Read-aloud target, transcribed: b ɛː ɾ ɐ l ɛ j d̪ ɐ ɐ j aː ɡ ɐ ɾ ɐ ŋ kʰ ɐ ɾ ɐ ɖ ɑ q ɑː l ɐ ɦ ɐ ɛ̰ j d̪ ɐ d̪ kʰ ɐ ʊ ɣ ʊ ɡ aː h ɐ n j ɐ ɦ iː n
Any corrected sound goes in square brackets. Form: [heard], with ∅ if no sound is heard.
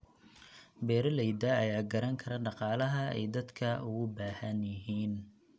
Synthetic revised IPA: b ɛː ɾ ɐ l ɛ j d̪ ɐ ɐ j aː ɡ ɐ ɾ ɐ ŋ kʰ ɐ ɾ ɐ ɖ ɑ q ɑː l ɐ ɦ ɐ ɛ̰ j d̪ ɐ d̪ kʰ ɐ ʊ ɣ ʊ [b] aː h ɐ n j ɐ ɦ iː n